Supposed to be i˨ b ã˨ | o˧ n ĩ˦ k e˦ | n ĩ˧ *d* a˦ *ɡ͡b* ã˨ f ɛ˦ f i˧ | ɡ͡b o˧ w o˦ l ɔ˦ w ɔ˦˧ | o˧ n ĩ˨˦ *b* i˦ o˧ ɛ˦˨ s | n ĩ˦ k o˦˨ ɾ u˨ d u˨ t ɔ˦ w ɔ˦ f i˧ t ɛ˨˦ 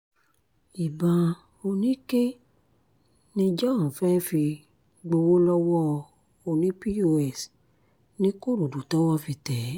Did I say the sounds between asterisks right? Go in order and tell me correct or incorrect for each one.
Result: incorrect, incorrect, incorrect

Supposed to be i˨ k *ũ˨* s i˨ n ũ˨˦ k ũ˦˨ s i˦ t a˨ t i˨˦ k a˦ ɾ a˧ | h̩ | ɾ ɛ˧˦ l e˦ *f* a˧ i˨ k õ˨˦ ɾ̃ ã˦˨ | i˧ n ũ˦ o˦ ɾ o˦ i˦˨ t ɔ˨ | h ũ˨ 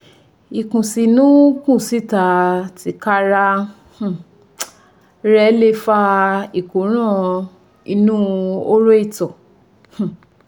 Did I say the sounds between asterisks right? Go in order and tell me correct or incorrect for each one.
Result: correct, correct

